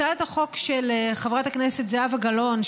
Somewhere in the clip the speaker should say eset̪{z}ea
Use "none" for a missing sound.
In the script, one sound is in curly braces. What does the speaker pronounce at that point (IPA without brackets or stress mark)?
z